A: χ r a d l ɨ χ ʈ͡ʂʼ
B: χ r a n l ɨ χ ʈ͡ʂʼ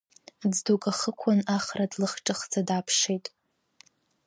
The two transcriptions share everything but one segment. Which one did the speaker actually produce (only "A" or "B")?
A